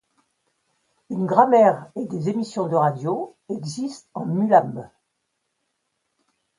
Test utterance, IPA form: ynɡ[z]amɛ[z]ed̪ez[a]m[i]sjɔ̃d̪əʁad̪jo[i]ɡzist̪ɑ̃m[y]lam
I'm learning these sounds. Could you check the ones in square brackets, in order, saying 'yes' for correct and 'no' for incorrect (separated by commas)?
no, no, no, yes, no, yes